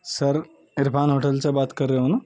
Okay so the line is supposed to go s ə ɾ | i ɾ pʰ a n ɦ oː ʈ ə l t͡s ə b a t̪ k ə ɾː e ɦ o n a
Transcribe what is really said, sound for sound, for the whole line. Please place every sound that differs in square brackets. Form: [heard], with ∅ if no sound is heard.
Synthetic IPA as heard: s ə ɾ | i ɾ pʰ a n ɦ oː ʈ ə l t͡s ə b a t̪ k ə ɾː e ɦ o n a